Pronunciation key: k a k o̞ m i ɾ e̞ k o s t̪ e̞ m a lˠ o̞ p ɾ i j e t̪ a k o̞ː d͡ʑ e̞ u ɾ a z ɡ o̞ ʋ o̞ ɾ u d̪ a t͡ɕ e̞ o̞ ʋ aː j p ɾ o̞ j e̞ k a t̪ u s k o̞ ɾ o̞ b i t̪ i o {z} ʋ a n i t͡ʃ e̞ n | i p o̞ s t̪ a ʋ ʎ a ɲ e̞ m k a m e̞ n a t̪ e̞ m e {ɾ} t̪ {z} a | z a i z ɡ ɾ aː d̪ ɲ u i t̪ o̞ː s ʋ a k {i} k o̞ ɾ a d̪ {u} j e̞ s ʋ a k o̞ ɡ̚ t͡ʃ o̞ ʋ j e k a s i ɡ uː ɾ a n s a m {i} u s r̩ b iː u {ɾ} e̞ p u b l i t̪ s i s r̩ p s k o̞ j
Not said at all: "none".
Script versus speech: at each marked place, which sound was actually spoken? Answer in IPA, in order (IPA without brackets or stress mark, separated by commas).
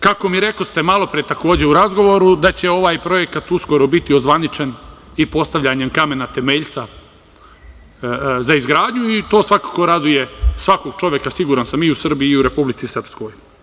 z, ʎ, s, a, u, i, ɾ